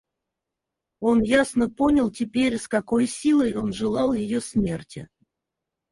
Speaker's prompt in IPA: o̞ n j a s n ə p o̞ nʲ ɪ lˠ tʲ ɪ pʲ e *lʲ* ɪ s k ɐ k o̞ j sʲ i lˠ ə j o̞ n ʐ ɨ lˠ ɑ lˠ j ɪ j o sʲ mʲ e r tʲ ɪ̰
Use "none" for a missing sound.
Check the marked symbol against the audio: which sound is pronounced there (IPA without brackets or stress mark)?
ɾʲ